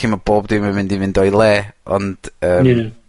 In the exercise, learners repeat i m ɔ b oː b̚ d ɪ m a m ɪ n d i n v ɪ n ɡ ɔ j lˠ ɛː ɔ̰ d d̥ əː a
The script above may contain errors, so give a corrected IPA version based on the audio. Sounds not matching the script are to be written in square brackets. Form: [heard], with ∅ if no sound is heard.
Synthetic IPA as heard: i m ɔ b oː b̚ d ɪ m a m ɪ n d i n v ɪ n [d] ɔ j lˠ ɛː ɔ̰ [n] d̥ əː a